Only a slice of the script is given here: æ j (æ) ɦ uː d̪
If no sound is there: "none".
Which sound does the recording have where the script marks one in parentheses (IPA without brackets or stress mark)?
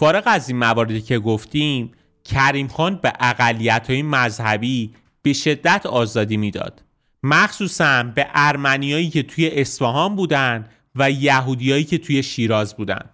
æ